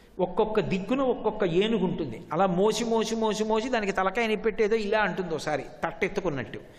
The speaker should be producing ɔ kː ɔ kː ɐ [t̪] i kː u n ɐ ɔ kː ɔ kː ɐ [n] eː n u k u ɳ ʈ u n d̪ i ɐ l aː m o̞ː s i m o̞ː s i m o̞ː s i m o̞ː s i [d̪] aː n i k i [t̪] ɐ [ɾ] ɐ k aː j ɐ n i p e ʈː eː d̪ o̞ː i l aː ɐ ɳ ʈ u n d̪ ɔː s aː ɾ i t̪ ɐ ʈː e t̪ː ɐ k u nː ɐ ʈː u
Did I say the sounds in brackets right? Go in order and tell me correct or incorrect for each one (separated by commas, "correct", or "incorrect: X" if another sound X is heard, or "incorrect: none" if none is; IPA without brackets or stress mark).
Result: incorrect: d̪, incorrect: none, correct, correct, incorrect: l